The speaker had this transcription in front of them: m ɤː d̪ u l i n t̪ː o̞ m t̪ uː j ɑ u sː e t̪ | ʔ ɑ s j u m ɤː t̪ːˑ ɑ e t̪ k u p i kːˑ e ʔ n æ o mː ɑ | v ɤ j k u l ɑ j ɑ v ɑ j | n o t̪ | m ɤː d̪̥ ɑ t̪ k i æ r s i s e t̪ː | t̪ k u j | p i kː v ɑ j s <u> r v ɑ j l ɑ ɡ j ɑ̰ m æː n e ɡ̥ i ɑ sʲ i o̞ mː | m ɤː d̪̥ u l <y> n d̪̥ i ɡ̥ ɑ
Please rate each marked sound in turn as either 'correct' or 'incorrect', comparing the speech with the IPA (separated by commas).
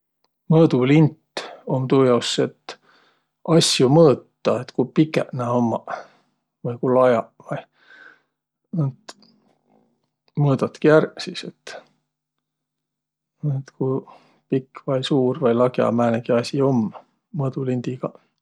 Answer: incorrect, incorrect